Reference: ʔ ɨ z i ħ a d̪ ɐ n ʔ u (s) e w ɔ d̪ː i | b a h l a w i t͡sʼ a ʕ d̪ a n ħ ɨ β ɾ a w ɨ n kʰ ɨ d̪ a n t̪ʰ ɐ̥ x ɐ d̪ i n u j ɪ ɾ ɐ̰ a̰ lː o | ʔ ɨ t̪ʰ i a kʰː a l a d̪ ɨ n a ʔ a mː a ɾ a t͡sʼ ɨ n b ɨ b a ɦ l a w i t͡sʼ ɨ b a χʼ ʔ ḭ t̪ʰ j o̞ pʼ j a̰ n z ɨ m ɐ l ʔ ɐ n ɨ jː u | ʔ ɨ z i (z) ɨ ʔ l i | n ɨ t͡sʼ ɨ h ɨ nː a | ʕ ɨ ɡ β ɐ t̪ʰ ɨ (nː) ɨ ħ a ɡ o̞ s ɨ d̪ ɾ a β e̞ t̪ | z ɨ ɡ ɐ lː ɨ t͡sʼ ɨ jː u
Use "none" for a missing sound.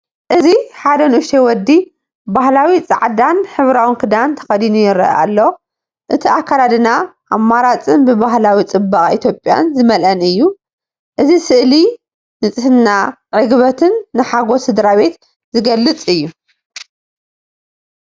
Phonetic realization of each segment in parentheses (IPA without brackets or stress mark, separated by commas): ʃ, s, nː